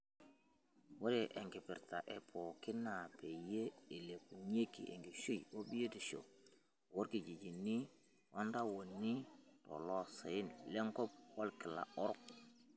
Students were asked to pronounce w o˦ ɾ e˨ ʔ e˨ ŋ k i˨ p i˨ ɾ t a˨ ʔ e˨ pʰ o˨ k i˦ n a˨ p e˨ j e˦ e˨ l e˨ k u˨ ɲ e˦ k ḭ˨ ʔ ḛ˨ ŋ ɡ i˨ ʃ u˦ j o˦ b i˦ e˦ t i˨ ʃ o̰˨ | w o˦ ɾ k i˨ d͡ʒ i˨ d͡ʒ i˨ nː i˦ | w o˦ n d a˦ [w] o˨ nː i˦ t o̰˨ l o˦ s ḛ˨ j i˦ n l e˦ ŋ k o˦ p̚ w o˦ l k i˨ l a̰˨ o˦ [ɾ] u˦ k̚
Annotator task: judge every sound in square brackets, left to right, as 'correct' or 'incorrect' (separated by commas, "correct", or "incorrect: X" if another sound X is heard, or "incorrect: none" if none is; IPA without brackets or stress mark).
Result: correct, correct